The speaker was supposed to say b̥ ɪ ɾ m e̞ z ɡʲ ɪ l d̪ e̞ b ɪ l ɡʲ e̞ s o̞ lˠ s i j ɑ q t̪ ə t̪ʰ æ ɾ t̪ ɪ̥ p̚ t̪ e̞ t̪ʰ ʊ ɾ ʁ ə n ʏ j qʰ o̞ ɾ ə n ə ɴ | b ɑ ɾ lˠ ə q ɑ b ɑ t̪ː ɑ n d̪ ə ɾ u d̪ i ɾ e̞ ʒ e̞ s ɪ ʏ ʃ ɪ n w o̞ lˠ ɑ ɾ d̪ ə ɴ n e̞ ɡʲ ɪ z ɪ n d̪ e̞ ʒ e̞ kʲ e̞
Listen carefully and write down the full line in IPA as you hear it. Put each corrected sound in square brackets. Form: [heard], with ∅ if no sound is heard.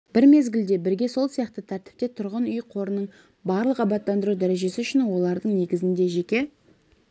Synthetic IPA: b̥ ɪ ɾ m e̞ z ɡʲ ɪ l d̪ e̞ b ɪ [ɾ] ɡʲ e̞ s o̞ lˠ s i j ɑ q t̪ ə t̪ʰ æ ɾ t̪ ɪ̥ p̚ t̪ e̞ t̪ʰ ʊ ɾ ʁ ə n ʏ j qʰ o̞ ɾ ə n ə ɴ | b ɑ ɾ lˠ ə q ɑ b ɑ t̪ː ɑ n d̪ ə ɾ u d̪ [æ] ɾ e̞ ʒ e̞ s ɪ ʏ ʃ ɪ n w o̞ lˠ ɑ ɾ d̪ ə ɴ n e̞ ɡʲ ɪ z ɪ n d̪ e̞ ʒ e̞ kʲ e̞